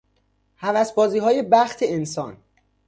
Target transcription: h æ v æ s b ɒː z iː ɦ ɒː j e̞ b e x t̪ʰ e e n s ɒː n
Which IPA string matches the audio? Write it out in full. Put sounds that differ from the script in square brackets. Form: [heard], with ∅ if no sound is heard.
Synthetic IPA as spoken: h æ v æ s b ɒː z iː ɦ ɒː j e̞ b [æ] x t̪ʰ e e n s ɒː n